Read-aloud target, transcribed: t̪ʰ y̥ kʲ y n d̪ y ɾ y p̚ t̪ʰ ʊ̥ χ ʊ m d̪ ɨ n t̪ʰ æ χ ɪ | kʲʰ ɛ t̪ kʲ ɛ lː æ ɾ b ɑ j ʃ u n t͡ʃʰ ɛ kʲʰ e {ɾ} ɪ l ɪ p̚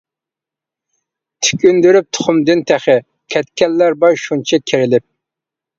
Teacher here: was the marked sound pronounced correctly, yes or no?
yes